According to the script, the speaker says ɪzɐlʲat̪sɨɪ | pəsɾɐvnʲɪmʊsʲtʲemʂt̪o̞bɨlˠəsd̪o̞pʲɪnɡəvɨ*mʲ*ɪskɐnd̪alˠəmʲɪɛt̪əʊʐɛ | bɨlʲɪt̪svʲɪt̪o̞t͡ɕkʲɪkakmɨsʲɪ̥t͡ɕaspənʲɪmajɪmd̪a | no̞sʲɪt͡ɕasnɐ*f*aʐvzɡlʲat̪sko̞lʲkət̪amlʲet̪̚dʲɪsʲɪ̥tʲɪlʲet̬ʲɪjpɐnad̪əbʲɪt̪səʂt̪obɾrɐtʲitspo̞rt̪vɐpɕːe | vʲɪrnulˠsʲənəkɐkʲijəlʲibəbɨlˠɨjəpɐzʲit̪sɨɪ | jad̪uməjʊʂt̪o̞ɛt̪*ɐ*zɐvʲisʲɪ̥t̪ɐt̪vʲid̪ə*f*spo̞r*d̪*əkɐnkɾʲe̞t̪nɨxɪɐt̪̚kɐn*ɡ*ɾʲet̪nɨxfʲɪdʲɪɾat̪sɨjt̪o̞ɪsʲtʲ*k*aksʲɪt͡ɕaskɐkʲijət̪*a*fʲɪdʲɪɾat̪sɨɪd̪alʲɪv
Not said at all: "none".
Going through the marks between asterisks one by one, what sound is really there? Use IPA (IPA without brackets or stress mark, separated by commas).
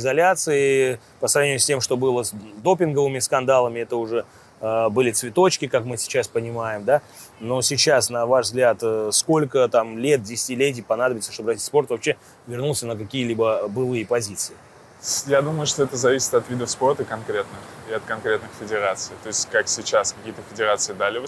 mʲ, v, ə, f, t̪, k, k, ə